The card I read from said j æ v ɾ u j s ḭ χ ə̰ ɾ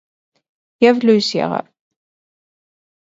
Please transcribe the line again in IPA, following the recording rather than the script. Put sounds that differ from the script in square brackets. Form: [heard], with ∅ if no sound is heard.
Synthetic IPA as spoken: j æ v [l] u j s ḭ [ʁ] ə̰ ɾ